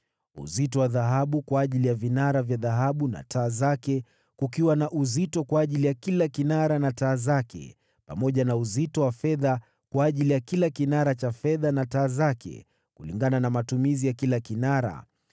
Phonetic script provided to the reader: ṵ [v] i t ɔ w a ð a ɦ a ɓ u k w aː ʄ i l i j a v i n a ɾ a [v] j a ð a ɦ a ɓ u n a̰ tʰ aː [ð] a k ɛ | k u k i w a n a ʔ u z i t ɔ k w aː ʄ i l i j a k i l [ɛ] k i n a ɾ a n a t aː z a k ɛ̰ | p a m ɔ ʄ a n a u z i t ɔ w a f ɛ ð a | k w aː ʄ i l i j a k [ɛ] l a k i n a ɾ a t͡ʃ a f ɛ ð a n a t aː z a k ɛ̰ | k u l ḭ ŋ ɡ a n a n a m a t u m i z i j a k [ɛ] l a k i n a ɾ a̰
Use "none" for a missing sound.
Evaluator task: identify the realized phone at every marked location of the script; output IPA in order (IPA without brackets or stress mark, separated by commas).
z, v, z, a, i, i